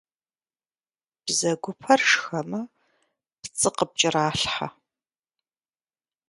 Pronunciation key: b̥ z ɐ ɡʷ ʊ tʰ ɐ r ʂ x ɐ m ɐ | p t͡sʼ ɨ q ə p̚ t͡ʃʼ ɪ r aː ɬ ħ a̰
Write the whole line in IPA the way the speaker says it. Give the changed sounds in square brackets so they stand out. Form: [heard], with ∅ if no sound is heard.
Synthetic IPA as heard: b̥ z ɐ ɡʷ ʊ [pʰ] ɐ r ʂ x ɐ m ɐ | p t͡sʼ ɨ q ə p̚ t͡ʃʼ ɪ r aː ɬ ħ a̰